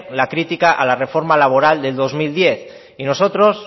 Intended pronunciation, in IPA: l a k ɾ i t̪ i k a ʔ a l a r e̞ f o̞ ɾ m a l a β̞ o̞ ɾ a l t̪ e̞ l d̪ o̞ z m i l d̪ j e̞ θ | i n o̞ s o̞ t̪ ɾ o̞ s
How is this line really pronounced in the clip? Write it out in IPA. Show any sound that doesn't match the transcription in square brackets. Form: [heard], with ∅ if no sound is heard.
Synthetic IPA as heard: l a k ɾ i t̪ i k a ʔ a l a r e̞ f o̞ ɾ m a l a β̞ o̞ ɾ a l [d̪] e̞ l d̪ o̞ z m i l d̪ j e̞ θ | i n o̞ s o̞ t̪ ɾ o̞ s